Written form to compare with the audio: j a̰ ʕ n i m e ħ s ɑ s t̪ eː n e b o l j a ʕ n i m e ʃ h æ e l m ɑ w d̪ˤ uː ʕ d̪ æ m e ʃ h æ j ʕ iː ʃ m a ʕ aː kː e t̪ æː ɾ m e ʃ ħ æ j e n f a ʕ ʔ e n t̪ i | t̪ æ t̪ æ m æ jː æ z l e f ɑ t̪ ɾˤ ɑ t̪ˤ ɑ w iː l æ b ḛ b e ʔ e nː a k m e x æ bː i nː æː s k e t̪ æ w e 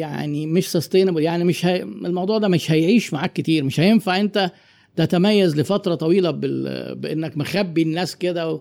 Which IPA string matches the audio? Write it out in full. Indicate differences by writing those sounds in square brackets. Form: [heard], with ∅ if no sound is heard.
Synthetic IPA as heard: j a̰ ʕ n i m e [ʃ] s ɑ s t̪ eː n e b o l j a ʕ n i m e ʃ h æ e l m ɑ w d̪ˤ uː ʕ d̪ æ m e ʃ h æ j ʕ iː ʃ m a ʕ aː kː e t̪ [iː] ɾ m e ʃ [h] æ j e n f a ʕ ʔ e n t̪ [æ] | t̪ æ t̪ æ m æ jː æ z l e f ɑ t̪ ɾˤ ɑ t̪ˤ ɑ w iː l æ b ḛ b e ʔ e nː [æ] k m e x æ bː i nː æː s k e [d̪] æ w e